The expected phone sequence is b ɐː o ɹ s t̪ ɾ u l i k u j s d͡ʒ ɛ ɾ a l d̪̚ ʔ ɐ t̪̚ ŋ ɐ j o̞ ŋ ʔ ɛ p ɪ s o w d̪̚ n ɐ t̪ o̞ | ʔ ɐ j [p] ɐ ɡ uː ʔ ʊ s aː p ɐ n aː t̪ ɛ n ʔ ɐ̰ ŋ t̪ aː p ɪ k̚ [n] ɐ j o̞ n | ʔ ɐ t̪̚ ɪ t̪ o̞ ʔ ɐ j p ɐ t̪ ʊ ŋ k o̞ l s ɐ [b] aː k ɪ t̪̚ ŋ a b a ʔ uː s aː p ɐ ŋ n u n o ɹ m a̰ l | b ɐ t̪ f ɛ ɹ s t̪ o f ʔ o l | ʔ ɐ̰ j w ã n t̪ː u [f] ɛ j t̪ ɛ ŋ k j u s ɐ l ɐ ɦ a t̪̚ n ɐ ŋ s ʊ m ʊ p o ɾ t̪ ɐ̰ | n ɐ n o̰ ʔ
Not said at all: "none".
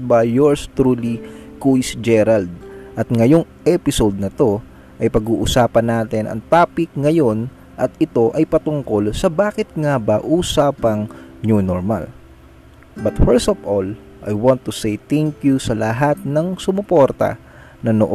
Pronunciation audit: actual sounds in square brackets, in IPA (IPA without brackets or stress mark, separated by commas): p, ŋ, b, s